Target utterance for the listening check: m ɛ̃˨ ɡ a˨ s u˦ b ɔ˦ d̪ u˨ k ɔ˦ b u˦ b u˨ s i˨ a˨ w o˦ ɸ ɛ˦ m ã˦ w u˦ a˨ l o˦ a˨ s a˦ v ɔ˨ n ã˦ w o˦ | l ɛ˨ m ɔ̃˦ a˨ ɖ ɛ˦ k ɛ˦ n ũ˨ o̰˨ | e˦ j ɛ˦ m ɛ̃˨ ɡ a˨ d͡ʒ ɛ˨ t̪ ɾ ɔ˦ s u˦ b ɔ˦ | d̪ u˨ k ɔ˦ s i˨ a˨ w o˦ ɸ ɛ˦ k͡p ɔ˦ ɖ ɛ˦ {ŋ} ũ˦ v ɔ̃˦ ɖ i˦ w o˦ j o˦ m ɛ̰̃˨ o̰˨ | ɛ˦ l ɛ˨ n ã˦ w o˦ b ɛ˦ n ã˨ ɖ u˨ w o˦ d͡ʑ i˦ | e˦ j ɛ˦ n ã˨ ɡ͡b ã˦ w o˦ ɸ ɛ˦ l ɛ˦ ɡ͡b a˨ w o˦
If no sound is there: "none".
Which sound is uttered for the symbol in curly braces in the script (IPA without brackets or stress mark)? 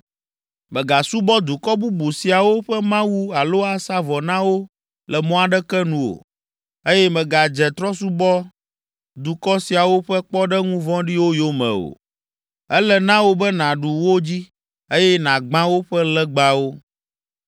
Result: ŋ